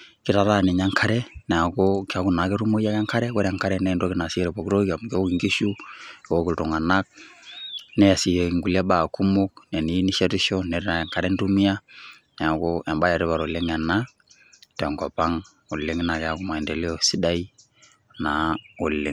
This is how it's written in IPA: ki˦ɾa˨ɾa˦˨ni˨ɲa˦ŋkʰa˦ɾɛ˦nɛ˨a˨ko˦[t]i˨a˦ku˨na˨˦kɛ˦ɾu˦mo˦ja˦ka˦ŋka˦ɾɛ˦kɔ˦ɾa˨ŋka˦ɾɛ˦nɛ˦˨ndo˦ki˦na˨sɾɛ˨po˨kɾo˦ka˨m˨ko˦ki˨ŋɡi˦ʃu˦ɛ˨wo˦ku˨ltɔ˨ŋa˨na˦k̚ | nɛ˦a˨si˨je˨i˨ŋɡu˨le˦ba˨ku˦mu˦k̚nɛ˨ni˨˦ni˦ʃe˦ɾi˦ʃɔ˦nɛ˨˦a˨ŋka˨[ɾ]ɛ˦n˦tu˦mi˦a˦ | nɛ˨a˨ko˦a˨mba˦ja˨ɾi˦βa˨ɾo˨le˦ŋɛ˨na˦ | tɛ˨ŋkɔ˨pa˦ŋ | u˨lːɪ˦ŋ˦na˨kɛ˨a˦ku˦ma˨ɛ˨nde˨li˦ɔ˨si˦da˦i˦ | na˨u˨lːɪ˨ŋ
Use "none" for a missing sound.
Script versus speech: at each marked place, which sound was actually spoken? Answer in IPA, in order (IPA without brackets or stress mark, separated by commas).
k, ɾ